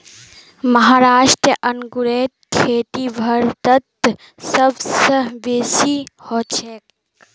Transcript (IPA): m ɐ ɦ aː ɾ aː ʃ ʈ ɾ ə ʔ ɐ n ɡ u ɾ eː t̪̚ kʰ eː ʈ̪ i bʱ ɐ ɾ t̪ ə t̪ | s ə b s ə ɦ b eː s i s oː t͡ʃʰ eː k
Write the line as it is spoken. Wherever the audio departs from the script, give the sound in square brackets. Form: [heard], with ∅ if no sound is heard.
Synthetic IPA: m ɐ ɦ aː ɾ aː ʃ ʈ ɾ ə ʔ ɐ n ɡ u ɾ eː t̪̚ kʰ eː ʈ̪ i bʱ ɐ ɾ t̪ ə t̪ | s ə b s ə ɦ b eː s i [h] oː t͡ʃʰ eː k